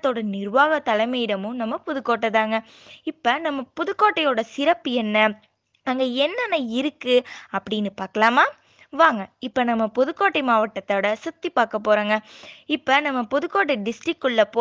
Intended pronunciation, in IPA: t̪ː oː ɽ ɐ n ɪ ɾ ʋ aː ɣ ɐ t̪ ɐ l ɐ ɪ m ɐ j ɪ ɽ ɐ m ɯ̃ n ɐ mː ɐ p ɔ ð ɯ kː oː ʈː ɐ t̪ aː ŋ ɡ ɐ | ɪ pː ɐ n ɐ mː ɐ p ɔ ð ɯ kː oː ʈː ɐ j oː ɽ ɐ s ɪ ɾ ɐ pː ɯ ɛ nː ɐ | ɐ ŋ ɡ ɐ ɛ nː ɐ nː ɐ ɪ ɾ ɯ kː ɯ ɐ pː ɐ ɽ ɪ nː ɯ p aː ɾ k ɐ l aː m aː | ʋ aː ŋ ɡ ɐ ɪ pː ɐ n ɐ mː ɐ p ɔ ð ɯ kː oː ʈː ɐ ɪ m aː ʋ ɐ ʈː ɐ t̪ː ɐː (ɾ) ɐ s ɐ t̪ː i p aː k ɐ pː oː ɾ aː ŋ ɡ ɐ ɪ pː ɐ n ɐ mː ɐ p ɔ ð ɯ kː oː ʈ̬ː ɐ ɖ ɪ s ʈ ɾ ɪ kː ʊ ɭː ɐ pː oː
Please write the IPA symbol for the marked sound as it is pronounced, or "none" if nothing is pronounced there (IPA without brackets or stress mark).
ɽ